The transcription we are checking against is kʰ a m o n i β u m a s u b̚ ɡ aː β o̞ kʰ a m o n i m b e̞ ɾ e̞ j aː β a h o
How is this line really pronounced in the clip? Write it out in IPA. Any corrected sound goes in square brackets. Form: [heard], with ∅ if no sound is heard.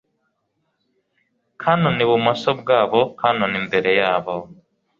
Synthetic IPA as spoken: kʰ a [n] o n i β u m a s [o] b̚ ɡ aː β o̞ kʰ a [n] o n i m b e̞ ɾ e̞ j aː β a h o

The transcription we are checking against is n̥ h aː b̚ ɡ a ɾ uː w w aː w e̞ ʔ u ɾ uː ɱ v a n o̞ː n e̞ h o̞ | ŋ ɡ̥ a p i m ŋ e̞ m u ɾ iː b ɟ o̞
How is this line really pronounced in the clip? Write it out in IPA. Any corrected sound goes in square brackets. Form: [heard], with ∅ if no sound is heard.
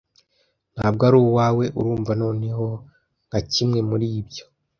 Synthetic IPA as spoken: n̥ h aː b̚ ɡ a ɾ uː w w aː w e̞ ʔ u ɾ uː ɱ v a n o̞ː n e̞ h o̞ | ŋ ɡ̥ a [c] i m ŋ e̞ m u ɾ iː b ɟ o̞

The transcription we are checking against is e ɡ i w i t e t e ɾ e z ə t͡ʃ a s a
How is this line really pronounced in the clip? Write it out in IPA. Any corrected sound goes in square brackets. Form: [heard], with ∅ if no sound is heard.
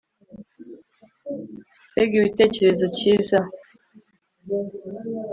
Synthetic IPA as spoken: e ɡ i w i t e [t͡ʃ] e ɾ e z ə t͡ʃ [i] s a

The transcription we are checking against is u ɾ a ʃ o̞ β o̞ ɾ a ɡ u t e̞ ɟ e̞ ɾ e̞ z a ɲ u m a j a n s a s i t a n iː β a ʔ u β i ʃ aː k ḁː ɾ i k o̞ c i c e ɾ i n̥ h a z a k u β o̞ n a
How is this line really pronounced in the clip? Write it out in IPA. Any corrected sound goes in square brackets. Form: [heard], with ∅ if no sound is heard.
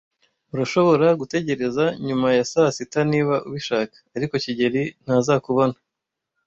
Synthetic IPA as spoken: u ɾ a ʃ o̞ β o̞ ɾ a ɡ u t e̞ ɟ e̞ ɾ e̞ z a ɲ u m a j a [∅] s a s i t a n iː β a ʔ u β i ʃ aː k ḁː ɾ i k o̞ c i [ɟ] e ɾ i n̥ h a z a k u β o̞ n a

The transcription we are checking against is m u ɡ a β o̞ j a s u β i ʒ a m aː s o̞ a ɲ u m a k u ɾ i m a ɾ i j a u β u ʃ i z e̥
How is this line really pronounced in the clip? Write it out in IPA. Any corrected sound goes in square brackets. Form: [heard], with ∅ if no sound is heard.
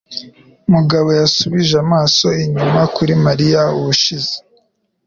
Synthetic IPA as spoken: m u ɡ a β o̞ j a s u β i ʒ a m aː s o̞ [i] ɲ u m a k u ɾ i m a ɾ i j a u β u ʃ i z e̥

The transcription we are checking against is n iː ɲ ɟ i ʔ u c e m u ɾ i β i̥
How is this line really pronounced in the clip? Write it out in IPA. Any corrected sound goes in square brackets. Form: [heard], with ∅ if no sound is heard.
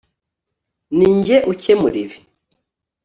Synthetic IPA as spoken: n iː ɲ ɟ [e] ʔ u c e m u ɾ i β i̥

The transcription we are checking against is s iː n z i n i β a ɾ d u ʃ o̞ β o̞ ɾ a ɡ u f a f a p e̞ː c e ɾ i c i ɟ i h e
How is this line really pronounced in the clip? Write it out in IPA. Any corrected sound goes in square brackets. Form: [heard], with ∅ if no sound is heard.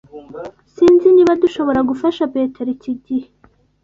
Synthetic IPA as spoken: s iː n z i n i β a [∅] d u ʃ o̞ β o̞ ɾ a ɡ u f a [ʃ] a p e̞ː [t] e ɾ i c i ɟ i h e

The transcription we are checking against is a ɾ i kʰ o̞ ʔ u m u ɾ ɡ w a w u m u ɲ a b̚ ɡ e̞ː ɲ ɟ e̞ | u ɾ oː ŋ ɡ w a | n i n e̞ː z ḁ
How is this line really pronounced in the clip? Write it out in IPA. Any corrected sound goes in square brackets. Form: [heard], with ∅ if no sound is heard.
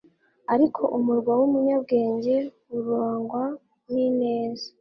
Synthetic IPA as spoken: a ɾ i kʰ o̞ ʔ u m u ɾ ɡ w a w u m u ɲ a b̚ ɡ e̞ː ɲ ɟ e̞ | u ɾ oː ŋ ɡ w a | n i n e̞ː z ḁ

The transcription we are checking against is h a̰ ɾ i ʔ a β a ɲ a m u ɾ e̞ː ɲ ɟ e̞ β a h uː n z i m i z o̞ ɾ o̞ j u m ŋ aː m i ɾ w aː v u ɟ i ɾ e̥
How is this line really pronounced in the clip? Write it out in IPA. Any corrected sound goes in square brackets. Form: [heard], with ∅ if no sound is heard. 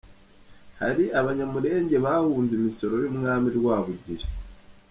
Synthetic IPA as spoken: h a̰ ɾ i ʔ a β a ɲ a m u ɾ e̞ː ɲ ɟ e̞ β a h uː n z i m i [s] o̞ ɾ o̞ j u m ŋ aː m i ɾ w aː [β] u ɟ i ɾ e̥

